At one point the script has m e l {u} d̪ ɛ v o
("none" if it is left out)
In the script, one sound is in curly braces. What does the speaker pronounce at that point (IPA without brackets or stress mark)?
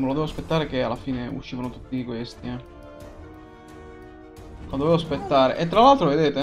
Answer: o